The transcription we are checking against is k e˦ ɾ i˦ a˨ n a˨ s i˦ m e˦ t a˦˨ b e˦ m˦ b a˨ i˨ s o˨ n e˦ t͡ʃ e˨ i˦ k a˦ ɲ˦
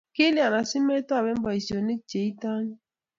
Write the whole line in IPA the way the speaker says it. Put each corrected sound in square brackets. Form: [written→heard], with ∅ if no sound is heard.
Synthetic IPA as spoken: k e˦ [ɾ→l] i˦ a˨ n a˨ s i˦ m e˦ t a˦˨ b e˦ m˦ b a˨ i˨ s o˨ n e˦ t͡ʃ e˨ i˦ [k→t] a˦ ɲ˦